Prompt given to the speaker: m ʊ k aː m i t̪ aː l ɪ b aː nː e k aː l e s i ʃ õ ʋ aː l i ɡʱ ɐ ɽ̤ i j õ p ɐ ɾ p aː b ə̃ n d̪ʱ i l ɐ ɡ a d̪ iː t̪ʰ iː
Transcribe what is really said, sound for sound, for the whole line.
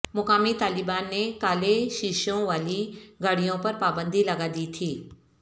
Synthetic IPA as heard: m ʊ k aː m i t̪ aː l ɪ b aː nː e k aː l e ʃ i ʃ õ ʋ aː l i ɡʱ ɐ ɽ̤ i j õ p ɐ ɾ p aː b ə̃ n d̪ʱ i l ɐ ɡ a d̪ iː t̪ʰ iː